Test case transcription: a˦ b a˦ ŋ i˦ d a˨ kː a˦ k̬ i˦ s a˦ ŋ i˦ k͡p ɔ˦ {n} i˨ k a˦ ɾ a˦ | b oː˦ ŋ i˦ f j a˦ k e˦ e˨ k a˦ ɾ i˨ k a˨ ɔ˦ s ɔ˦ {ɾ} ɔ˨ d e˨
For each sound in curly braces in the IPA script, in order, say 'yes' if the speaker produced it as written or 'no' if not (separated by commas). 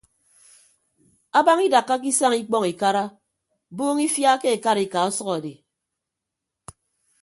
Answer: no, no